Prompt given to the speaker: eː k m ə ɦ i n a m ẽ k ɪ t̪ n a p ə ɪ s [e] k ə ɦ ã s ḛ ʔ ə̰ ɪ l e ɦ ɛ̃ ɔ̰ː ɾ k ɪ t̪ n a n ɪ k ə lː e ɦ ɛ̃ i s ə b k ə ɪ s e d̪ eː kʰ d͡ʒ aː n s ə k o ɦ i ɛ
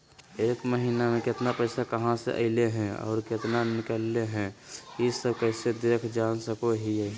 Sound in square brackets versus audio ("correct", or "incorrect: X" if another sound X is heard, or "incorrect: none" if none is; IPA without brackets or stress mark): incorrect: a